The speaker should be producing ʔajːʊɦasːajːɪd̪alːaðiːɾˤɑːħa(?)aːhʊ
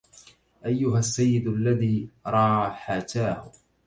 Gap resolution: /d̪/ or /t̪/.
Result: t̪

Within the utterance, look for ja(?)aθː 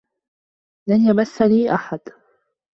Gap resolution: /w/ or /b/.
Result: b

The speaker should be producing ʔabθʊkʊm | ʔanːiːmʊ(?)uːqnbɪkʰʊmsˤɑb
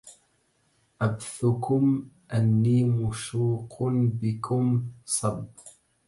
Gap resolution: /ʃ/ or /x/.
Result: ʃ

